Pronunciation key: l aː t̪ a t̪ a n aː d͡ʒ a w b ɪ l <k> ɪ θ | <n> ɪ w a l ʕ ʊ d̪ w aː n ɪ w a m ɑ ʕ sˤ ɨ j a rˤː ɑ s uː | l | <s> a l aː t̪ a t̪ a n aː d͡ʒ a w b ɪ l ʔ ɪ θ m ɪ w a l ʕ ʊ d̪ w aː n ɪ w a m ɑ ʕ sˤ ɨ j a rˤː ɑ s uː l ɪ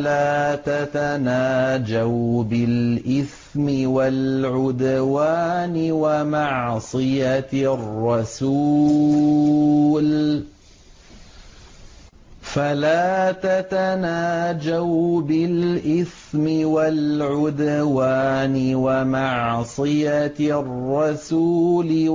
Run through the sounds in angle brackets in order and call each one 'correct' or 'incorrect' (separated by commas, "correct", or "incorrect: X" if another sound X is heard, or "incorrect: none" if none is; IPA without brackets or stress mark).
incorrect: ʔ, incorrect: m, incorrect: f